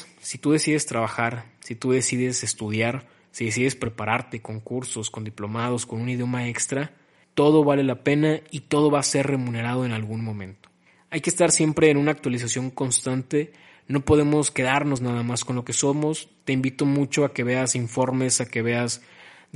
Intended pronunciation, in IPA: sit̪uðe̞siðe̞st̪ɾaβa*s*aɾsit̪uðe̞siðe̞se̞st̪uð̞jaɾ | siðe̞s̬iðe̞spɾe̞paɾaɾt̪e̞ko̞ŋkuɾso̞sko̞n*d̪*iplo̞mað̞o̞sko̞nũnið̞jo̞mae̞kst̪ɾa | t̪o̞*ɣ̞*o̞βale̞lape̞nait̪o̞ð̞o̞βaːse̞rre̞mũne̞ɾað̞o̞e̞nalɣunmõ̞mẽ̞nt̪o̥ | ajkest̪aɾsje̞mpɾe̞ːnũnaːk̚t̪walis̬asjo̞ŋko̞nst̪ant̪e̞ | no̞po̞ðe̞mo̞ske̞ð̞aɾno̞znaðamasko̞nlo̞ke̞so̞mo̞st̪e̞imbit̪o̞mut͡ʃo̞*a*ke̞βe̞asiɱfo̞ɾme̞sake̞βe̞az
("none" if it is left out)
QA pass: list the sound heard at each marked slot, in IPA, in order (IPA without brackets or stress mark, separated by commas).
x, d̪, ð̞, a